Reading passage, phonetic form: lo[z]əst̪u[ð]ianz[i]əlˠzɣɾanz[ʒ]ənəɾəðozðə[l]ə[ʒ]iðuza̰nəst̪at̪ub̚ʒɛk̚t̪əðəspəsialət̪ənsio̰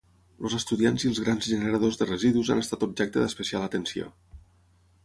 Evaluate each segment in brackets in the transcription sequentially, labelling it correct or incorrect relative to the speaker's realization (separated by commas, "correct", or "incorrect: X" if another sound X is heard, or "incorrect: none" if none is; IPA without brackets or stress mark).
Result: correct, correct, correct, correct, incorrect: r, incorrect: z